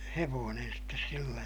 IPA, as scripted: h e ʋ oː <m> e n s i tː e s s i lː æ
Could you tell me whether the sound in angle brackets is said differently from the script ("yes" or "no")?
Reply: yes